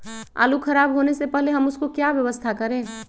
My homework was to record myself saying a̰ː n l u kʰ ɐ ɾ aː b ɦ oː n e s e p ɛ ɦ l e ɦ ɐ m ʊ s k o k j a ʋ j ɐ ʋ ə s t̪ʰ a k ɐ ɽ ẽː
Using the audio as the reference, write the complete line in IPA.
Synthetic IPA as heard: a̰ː l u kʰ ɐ ɾ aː b ɦ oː n e s e p ɛ ɦ l e ɦ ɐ m ʊ s k o k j a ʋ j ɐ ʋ ə s t̪ʰ a k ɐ ɾ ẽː